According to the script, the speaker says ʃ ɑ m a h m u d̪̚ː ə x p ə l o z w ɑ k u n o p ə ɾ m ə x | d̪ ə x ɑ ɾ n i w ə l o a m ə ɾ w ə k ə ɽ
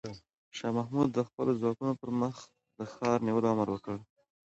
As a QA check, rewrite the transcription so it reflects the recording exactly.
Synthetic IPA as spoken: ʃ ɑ m a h m u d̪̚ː ə x p ə l o z w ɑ k u n o p ə ɾ m ə x | d̪ ə x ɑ ɾ n i w ə l o a m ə ɾ w ə k ə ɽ